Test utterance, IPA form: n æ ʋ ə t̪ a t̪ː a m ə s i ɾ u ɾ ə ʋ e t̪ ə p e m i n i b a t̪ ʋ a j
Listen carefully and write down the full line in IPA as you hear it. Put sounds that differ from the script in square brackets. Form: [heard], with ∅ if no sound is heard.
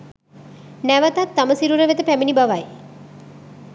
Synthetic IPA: n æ ʋ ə t̪ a t̪ː a m ə s i ɾ u ɾ ə ʋ e t̪ ə p [æ] m i n i b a [∅] ʋ a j